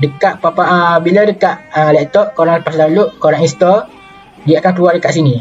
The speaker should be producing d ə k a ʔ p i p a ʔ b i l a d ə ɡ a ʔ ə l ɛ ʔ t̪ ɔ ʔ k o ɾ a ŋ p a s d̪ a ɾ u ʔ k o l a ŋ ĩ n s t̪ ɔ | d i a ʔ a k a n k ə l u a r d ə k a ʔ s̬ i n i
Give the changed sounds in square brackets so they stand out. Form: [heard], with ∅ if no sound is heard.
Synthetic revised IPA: d ə k a ʔ p [a] p a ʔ b i l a d ə [k] a ʔ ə l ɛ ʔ t̪ ɔ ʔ k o ɾ a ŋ p a s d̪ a [l] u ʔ k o [ɾ] a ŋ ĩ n s t̪ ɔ | d i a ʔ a k a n k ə l u a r d ə k a ʔ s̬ i n i